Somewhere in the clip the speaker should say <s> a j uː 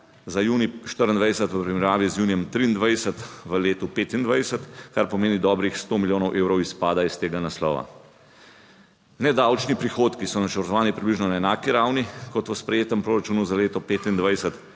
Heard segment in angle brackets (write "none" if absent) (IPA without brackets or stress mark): z